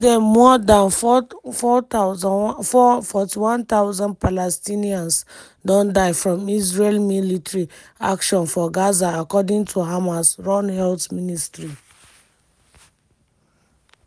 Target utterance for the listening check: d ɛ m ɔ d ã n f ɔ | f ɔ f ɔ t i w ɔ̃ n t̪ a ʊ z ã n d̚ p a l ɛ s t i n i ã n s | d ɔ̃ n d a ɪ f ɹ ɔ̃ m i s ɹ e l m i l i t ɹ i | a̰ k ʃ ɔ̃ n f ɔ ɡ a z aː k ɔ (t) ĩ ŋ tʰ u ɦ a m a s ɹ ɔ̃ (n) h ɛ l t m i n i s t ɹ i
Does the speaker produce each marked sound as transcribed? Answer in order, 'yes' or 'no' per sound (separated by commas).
no, yes